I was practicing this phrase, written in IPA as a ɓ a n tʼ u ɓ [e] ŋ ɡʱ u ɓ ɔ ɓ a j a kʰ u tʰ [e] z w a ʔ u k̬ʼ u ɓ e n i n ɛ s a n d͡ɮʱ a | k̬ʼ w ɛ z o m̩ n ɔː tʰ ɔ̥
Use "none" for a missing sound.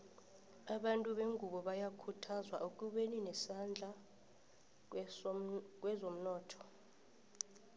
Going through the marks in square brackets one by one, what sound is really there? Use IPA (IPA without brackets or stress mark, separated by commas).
e, a